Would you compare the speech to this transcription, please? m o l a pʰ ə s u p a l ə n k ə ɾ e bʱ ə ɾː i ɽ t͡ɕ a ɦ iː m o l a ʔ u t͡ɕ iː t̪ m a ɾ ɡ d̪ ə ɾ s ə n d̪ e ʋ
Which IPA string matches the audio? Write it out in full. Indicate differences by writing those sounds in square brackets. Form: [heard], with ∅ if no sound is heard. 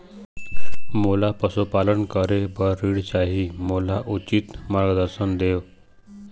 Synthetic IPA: m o l a [p] ə s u p a l ə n k ə ɾ e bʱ ə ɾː i ɽ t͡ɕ a ɦ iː m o l a ʔ u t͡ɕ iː t̪ m a ɾ ɡ d̪ ə ɾ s ə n d̪ e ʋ

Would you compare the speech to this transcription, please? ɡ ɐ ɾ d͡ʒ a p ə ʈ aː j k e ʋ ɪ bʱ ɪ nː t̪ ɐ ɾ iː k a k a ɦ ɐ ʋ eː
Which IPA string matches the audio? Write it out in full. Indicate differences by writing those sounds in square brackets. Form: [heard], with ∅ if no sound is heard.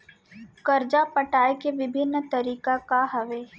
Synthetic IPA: [k] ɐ ɾ d͡ʒ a p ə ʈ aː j k e ʋ ɪ bʱ ɪ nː t̪ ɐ ɾ iː k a k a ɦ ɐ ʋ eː

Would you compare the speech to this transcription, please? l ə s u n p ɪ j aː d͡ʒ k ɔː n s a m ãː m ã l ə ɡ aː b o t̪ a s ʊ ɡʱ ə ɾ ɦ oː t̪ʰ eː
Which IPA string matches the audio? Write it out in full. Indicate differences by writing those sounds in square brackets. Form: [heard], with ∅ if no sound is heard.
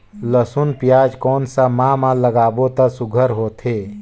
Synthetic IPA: l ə s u n p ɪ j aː d͡ʒ k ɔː n s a m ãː m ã l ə ɡ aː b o t̪ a s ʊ ɡʱ ə ɾ ɦ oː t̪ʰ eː

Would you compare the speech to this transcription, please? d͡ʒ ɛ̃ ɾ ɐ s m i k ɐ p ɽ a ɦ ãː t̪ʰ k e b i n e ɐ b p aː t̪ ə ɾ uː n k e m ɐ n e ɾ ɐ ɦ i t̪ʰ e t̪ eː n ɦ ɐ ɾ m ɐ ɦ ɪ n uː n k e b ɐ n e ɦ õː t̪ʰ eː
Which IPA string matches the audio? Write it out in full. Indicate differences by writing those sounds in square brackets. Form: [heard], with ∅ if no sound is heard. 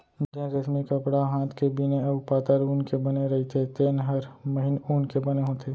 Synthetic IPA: d͡ʒ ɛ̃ ɾ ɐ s m i k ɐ p ɽ a ɦ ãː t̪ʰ k e b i n e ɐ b p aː t̪ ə ɾ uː n k e [b] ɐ n e ɾ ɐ ɦ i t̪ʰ e t̪ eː n ɦ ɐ ɾ m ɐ ɦ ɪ n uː n k e b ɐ n e ɦ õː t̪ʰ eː

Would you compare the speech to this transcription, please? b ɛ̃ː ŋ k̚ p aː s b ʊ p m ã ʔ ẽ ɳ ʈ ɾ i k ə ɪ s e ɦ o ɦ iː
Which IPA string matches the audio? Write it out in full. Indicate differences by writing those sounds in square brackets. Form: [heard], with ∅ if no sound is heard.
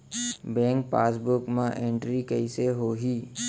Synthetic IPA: b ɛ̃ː ŋ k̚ p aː s b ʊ [k] m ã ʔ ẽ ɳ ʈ ɾ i k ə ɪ s e ɦ o ɦ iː

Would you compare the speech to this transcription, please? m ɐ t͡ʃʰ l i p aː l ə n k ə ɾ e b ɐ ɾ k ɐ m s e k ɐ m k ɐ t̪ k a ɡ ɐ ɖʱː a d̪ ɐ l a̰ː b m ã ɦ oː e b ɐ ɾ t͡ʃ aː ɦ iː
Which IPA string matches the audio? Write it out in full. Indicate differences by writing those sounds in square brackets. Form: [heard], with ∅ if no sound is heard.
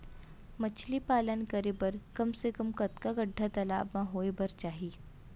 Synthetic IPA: m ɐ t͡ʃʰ l i p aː l ə n k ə ɾ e b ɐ ɾ k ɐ m s e k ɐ m k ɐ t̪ k a ɡ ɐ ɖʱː a [t̪] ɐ l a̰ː b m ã ɦ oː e b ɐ ɾ t͡ʃ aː ɦ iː

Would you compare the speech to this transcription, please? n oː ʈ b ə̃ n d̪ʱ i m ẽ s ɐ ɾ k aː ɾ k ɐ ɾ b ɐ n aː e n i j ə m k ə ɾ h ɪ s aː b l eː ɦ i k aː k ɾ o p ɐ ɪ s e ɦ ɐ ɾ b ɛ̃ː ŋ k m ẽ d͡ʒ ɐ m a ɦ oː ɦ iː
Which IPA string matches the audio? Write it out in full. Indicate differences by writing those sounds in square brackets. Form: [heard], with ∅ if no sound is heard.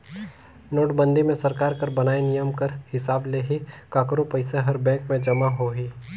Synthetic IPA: n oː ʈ b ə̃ n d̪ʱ i m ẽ s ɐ ɾ k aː ɾ k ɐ ɾ b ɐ n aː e n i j ə m k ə ɾ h ɪ s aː b l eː ɦ i k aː k ɾ o p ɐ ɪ s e ɦ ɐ ɾ b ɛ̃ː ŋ k m ẽ d͡ʒ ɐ m a ɦ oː ɦ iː

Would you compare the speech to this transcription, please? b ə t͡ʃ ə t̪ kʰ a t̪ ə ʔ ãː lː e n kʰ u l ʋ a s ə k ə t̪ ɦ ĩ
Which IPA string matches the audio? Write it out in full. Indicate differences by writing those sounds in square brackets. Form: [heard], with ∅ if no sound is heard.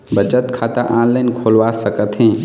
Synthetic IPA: b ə t͡ʃ ə t̪ kʰ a t̪ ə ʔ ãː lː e n kʰ [o] l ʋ a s ə k ə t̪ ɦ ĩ

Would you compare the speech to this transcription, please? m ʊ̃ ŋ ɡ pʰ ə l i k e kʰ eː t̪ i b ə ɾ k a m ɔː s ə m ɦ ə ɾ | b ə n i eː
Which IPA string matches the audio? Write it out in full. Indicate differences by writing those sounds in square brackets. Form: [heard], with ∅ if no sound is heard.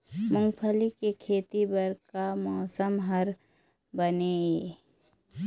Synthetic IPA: m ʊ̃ ŋ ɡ pʰ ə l i k e kʰ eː t̪ i b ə ɾ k a m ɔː s ə m ɦ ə ɾ | b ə n [e] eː

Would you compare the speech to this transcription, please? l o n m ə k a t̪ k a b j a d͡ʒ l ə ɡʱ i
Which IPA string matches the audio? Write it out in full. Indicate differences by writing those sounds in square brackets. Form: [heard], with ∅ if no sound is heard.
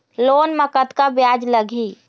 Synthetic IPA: l o n m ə k [ə] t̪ k a b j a d͡ʒ l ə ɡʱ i

